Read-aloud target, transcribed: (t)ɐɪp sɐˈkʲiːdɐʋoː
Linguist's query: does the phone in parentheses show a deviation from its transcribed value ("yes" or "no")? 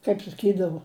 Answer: yes